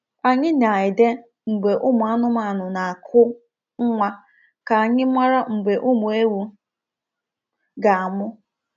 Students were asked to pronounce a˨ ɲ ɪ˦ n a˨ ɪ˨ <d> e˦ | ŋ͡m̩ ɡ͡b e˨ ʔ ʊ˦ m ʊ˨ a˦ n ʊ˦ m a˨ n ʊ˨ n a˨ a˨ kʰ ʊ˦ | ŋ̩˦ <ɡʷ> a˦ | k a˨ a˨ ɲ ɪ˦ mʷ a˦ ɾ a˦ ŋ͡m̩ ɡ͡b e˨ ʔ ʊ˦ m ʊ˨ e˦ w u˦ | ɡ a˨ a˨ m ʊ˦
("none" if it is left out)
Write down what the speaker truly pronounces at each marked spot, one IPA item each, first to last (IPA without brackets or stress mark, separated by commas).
d, ŋʷ